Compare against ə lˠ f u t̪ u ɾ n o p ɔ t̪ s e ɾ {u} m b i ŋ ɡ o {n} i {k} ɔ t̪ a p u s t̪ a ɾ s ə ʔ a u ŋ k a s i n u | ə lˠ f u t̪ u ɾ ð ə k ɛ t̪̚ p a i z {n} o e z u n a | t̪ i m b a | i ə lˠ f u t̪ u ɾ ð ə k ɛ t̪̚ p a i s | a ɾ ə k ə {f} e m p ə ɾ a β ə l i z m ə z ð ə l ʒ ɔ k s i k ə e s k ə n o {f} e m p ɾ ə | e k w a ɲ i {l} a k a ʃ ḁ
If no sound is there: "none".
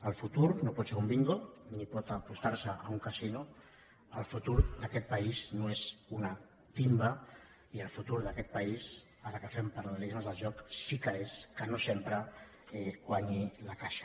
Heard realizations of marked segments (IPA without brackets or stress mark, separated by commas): u, n, p, n, f, s, l